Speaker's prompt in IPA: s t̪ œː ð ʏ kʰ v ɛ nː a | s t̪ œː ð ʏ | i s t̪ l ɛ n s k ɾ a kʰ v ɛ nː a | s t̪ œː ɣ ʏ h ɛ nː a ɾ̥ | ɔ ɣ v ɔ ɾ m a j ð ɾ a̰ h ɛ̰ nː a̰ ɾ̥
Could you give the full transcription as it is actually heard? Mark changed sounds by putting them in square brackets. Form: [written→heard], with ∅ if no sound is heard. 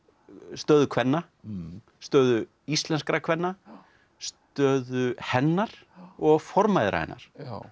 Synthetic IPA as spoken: s t̪ œː ð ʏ kʰ v ɛ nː a | s t̪ œː ð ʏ | i s t̪ l ɛ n s k ɾ a kʰ v ɛ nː a | s t̪ œː [ɣ→ð] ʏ h ɛ nː a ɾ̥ | ɔ ɣ [v→f] ɔ ɾ m a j ð ɾ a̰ h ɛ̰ nː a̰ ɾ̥